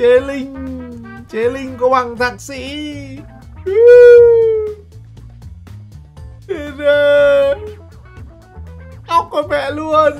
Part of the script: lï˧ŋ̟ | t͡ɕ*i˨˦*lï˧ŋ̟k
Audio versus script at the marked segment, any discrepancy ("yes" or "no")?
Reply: yes